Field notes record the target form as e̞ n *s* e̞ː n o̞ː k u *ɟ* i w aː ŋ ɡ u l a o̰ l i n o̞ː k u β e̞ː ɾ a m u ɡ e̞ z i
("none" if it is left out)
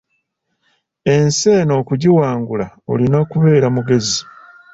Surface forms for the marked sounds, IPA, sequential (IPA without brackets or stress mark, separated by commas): s, ɟ